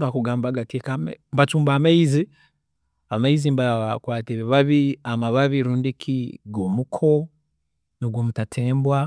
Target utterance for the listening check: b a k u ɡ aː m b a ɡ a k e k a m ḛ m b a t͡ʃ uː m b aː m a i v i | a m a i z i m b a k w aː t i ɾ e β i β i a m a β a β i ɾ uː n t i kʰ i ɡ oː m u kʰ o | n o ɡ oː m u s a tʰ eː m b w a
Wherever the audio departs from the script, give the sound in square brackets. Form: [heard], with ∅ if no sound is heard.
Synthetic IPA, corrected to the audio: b a k u ɡ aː m b a ɡ a k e k a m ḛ m b a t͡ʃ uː m b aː m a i [z] i | a m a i z i m b a k w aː t i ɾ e β [a] β i a m a β a β i ɾ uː n [d] i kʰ i ɡ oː m u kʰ o | n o ɡ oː m u [t] a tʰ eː m b w a